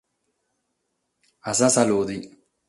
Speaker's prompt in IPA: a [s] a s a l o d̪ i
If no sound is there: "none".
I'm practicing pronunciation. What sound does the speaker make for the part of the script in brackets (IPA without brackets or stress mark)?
s